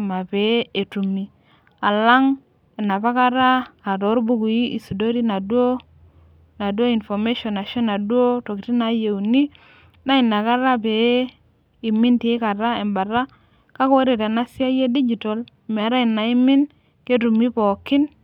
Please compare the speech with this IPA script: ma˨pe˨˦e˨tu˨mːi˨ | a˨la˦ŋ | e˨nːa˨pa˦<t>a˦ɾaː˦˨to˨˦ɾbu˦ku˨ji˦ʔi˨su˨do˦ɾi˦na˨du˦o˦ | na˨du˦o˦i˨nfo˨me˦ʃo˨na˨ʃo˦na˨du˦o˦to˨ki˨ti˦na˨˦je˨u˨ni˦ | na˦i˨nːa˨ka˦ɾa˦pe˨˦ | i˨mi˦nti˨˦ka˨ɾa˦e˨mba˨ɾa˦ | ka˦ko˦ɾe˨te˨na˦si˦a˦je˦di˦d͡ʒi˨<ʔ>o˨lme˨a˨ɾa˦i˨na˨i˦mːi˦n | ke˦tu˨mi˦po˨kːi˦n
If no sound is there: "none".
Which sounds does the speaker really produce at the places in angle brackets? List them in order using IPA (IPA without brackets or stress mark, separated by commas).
k, t